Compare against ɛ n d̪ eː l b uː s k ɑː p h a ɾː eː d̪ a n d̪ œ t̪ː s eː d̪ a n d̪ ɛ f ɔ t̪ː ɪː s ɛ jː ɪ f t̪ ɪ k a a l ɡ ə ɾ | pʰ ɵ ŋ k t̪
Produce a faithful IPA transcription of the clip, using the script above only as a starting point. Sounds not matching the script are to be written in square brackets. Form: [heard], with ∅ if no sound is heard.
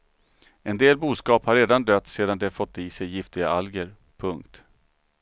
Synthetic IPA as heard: ɛ n d̪ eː l b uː s k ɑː p h a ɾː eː d̪ a n d̪ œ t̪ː s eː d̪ a n d̪ ɛ f ɔ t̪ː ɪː s ɛ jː ɪ f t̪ ɪ [ɡ] a a l ɡ ə ɾ | pʰ ɵ ŋ k t̪